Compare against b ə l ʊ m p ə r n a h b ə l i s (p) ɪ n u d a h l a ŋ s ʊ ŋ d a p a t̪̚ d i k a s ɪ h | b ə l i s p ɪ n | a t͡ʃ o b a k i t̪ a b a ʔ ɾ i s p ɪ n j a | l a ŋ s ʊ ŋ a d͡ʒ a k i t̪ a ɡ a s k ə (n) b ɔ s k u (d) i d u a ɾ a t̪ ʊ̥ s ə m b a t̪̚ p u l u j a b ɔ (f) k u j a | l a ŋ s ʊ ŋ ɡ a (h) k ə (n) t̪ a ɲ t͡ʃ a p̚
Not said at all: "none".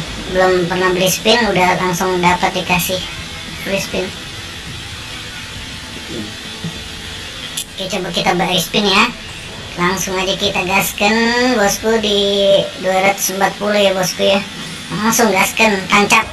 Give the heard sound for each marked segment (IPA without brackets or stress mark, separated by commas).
p, n, d, s, s, n